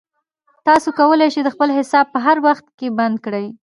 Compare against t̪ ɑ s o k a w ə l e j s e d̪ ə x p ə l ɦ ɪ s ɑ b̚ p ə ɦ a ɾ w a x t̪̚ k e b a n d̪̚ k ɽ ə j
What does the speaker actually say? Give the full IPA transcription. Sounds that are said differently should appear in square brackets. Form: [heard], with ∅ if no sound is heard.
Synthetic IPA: t̪ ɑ s o k a w ə l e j [ʃ] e d̪ ə x p ə l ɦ ɪ s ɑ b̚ p ə ɦ a ɾ w a x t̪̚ k e b a n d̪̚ k ɽ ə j